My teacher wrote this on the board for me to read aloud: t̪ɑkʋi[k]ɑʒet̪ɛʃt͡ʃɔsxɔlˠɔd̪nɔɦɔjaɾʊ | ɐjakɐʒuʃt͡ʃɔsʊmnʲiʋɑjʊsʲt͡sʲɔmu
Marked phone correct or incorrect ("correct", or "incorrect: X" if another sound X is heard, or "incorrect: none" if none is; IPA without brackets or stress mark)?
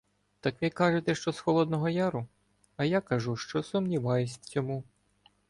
correct